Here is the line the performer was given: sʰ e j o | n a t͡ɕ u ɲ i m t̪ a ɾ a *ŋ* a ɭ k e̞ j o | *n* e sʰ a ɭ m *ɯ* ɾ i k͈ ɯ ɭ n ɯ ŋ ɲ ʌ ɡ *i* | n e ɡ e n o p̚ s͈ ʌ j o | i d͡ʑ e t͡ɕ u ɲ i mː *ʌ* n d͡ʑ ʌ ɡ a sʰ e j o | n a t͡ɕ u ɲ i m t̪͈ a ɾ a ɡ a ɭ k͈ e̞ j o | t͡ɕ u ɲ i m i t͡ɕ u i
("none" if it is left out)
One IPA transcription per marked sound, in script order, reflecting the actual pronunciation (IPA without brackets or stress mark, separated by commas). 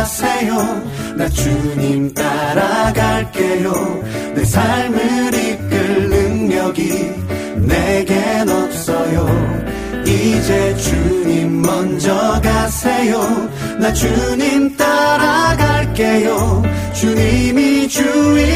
ɡ, n, ɯ, i, ʌ